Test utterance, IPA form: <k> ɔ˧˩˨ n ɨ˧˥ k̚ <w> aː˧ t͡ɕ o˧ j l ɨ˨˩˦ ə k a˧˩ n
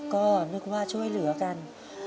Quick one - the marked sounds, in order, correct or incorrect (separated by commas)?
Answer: correct, correct